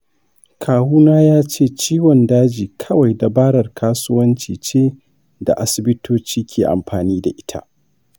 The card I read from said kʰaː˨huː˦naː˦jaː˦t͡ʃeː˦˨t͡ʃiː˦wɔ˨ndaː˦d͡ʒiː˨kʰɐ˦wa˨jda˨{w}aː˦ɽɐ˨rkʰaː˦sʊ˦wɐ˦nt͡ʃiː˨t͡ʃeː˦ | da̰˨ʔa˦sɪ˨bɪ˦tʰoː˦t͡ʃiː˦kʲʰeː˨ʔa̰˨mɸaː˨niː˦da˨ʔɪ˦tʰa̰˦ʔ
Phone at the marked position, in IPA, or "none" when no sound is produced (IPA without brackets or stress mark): b